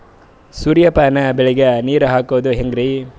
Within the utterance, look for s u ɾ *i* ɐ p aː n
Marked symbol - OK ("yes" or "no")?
no